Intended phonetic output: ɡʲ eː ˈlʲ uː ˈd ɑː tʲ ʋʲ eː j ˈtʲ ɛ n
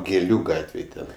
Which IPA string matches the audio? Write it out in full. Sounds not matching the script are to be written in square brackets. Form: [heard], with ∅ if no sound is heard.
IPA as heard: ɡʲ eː ˈlʲ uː [ˈɡ] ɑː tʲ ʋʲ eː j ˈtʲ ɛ n